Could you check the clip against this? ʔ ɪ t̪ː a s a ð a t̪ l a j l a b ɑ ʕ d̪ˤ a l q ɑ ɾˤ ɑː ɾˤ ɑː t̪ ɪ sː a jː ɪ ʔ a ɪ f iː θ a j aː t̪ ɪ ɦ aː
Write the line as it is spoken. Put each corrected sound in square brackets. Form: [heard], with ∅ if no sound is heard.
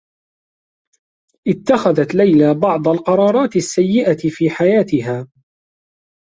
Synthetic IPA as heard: ʔ ɪ t̪ː a [x] a ð a t̪ l a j l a b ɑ ʕ d̪ˤ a l q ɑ ɾˤ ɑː ɾˤ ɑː t̪ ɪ sː a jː ɪ ʔ a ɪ f iː [ħ] a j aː t̪ ɪ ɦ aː